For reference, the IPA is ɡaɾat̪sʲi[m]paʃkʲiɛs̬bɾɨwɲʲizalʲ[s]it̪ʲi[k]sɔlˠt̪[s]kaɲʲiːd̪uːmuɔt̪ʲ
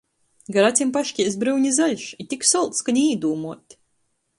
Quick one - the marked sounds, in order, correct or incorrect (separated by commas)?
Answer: correct, incorrect, correct, correct